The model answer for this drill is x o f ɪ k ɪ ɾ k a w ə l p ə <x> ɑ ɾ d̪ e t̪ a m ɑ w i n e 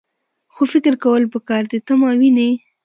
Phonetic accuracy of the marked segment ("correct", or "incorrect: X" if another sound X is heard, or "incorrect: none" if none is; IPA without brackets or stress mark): incorrect: k